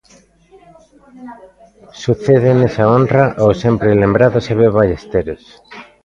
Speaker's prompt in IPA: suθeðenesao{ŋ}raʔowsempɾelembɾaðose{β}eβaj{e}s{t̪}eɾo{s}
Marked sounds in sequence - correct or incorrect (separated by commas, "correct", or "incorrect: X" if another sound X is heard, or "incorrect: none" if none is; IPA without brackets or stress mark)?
incorrect: n, correct, correct, correct, correct